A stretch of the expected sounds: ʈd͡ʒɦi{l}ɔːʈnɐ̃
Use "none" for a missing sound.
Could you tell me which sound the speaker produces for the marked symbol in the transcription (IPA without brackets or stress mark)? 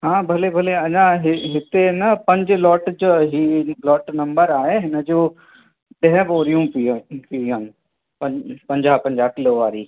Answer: l